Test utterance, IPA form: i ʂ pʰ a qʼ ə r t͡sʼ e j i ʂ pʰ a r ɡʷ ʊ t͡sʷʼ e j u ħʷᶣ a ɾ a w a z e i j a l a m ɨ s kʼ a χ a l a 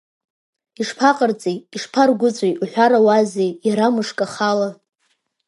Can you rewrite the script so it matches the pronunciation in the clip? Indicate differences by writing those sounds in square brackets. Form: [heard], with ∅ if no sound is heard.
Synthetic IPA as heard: i ʂ pʰ a qʼ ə r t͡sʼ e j i ʂ pʰ a r ɡʷ ʊ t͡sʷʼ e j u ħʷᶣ a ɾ a w a z e [j] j a [ɾ] a m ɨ [ʂ] kʼ a χ a l a